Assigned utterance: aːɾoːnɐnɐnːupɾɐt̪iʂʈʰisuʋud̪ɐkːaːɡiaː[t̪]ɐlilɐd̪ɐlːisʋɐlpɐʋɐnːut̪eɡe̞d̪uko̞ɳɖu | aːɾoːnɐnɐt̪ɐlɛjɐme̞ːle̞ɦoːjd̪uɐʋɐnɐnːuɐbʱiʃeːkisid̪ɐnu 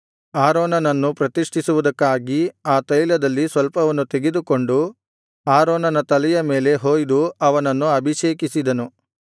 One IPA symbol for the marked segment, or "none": t̪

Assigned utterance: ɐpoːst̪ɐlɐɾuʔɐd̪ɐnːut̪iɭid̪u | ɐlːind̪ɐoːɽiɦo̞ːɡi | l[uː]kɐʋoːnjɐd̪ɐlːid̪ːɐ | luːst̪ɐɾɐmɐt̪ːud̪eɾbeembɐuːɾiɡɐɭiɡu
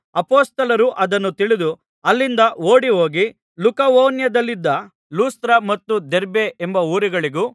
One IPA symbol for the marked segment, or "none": u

